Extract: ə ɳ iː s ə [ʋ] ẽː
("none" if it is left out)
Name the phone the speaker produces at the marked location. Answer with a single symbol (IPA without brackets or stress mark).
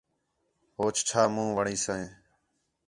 none